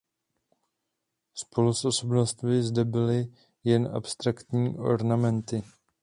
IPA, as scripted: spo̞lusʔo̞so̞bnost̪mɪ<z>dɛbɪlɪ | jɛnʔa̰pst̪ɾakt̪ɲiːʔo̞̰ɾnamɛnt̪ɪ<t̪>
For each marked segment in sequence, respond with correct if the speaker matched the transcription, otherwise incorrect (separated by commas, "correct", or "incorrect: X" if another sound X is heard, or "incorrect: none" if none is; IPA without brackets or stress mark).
correct, incorrect: none